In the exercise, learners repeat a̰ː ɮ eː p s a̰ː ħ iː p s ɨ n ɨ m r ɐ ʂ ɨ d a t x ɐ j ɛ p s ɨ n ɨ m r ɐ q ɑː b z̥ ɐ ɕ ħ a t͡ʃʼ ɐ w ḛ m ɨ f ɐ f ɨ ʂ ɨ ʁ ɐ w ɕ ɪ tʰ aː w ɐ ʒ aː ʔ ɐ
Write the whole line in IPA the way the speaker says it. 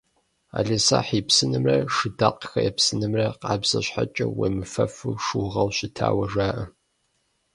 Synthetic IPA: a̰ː ɮ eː s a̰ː ħ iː p s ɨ n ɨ m r ɐ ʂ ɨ d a q x ɐ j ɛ p s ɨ n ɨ m r ɐ q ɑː b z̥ ɐ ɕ ħ a t͡ʃʼ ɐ w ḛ m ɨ f ɐ f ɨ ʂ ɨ ʁ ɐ w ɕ ɪ tʰ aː w ɐ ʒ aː ʔ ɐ